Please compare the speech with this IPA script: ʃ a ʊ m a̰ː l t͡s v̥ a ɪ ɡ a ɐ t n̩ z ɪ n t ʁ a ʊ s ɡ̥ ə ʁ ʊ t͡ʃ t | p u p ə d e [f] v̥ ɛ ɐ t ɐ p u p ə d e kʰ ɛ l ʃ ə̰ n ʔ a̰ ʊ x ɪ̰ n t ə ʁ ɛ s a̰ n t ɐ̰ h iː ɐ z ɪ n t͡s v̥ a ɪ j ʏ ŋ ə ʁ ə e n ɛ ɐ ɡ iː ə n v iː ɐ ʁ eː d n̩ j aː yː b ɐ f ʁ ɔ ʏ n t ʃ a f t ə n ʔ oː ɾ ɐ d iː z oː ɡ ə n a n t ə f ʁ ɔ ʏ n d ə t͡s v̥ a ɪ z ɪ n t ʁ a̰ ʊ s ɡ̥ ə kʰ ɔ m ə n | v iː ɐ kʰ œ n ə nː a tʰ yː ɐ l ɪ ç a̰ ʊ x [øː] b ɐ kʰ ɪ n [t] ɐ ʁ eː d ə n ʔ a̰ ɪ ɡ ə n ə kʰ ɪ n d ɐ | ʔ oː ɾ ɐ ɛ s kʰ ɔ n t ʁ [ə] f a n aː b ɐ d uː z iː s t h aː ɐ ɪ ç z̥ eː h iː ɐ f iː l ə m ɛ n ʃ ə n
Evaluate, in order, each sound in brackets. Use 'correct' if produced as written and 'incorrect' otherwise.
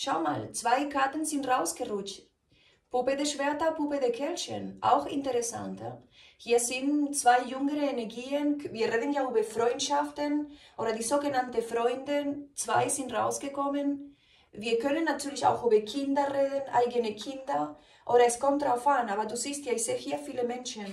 incorrect: ʃ, incorrect: yː, incorrect: d, incorrect: a

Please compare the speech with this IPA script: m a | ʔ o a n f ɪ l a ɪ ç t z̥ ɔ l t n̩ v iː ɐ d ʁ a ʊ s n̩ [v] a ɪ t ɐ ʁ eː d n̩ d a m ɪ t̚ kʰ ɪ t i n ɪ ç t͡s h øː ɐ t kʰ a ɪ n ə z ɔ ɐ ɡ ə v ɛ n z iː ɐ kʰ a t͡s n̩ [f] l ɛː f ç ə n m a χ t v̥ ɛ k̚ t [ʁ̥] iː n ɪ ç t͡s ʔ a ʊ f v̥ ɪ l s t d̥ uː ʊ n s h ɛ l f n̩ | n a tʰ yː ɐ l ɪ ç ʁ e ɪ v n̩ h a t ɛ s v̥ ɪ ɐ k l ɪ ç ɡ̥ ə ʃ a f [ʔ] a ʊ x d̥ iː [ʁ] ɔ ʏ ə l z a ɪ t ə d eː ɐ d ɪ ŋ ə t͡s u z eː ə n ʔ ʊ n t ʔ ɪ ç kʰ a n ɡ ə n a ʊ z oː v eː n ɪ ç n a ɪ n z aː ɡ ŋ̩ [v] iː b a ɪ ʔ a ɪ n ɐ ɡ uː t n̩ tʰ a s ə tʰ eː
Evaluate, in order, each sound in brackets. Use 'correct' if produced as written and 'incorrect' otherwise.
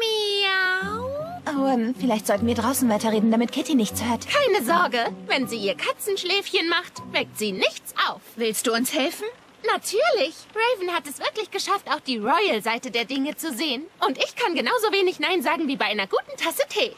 correct, incorrect: ʃ, incorrect: z̥, incorrect: t, correct, correct

